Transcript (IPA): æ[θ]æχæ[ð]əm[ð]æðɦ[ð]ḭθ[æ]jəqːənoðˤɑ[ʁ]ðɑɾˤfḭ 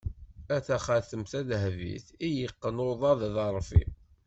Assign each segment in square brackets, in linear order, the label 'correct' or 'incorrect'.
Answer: correct, incorrect: θ, incorrect: θ, incorrect: v, incorrect: i, incorrect: ð

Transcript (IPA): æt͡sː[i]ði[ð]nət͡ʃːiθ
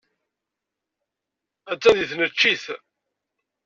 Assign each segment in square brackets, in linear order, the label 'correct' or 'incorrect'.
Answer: incorrect: æ, incorrect: θ

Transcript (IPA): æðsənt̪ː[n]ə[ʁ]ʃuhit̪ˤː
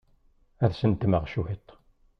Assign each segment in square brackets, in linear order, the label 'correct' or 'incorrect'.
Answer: incorrect: m, correct

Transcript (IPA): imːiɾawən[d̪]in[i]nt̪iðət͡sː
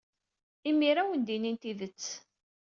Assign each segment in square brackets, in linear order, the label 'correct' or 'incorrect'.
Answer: correct, correct

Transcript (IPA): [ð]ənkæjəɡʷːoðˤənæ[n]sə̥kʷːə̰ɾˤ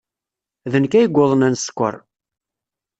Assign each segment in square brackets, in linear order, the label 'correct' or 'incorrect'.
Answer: correct, correct

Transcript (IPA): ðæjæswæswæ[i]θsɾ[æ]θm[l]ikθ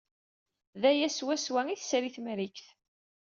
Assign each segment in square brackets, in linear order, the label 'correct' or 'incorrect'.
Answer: correct, incorrect: i, incorrect: ɾ

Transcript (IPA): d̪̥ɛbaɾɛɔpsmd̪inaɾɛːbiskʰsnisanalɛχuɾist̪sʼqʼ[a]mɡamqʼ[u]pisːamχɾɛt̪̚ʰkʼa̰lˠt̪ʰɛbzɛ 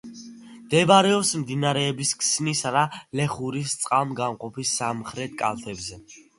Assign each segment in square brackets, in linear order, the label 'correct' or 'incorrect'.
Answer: correct, incorrect: ɔ

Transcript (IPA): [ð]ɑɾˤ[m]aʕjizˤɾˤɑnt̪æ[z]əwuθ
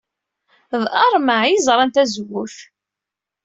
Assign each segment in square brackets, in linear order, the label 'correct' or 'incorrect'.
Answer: correct, correct, correct

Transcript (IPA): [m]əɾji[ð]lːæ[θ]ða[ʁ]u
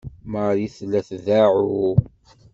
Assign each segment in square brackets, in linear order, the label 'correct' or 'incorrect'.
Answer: correct, incorrect: θ, correct, incorrect: ʕ

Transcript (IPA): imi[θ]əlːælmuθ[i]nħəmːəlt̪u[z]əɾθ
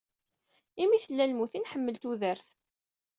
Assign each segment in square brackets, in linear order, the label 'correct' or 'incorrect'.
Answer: correct, correct, incorrect: ð

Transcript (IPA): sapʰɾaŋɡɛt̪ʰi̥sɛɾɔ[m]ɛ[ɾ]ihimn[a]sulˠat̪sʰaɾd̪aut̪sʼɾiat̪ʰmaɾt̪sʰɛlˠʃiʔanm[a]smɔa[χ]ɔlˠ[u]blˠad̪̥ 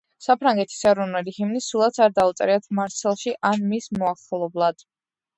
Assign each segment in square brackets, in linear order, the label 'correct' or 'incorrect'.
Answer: incorrect: n, incorrect: l, incorrect: i, incorrect: i, correct, incorrect: ɔ

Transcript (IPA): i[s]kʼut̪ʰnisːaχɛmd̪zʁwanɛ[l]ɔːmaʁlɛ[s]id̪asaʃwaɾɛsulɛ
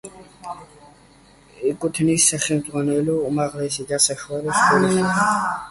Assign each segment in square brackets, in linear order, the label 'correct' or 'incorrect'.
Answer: incorrect: none, correct, correct

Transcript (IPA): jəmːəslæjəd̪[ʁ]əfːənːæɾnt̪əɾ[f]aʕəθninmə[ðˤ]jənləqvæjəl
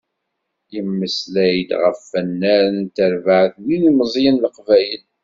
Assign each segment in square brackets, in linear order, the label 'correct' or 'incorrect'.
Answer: correct, incorrect: v, incorrect: zˤ

